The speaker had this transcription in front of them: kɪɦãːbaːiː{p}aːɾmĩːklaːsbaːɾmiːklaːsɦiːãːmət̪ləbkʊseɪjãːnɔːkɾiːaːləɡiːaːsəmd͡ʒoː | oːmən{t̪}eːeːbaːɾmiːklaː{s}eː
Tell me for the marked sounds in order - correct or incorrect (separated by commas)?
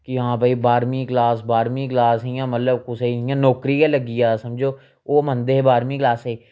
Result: incorrect, incorrect, correct